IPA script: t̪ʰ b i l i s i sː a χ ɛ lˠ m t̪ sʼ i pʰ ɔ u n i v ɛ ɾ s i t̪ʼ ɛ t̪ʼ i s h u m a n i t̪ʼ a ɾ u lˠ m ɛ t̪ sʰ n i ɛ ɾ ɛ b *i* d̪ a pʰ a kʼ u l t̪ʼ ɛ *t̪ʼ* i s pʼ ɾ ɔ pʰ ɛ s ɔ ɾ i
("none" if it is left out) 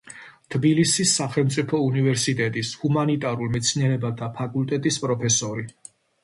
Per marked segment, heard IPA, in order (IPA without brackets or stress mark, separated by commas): a, t̪ʼ